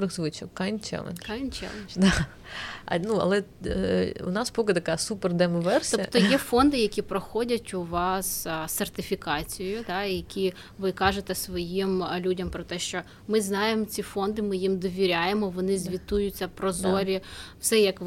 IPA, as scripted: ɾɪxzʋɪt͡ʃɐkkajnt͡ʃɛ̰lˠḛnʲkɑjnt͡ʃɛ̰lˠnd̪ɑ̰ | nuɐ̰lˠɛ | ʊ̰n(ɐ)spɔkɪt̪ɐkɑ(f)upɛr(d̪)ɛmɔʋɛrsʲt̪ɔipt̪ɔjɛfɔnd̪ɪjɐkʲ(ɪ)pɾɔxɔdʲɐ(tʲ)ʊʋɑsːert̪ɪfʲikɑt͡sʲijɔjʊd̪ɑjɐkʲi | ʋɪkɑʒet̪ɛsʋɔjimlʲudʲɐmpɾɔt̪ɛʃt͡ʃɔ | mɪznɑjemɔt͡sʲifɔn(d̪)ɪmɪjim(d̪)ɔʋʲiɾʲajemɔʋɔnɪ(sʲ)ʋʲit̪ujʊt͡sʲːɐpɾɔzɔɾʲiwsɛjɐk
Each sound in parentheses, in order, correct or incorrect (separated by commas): incorrect, incorrect, correct, incorrect, correct, correct, correct, incorrect